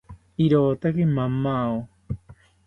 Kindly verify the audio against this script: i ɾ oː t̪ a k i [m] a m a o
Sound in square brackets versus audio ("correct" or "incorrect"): correct